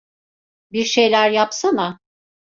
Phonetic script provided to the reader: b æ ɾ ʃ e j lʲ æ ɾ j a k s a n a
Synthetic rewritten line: b i ɾ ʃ e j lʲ æ ɾ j a p s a n a